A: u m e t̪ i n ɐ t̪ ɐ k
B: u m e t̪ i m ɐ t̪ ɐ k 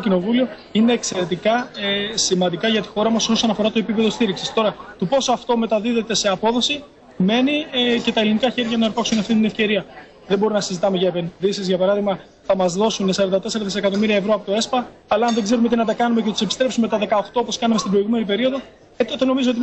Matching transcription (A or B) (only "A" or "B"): A